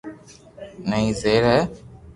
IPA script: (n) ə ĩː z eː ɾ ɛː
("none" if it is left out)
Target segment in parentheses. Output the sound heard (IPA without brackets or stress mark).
n